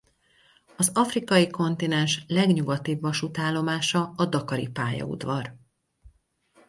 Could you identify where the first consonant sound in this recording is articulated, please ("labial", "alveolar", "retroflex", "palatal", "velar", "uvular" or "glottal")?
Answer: alveolar